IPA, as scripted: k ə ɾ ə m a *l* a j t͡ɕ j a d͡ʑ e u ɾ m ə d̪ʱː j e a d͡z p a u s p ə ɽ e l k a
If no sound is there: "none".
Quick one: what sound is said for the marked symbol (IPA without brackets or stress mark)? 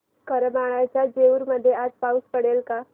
ɭ